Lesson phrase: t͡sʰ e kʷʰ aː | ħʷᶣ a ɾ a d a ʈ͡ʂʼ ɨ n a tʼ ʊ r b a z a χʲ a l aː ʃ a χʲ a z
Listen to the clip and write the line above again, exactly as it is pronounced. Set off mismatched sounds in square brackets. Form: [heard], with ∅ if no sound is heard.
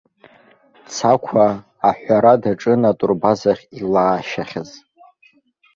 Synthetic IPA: t͡sʰ [a] kʷʰ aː | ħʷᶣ a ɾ a d a ʈ͡ʂʼ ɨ n a tʼ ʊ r b a z a χʲ [i] l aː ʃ a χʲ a z